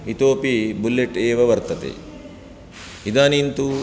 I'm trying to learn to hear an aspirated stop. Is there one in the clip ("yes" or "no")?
no